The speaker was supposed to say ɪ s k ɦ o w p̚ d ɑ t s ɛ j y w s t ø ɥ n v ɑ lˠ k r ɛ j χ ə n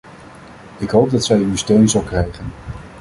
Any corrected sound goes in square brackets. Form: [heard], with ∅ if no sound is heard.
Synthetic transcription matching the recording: ɪ [∅] k ɦ o w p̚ d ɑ t s ɛ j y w s t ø ɥ n [z] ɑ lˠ k r ɛ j χ ə n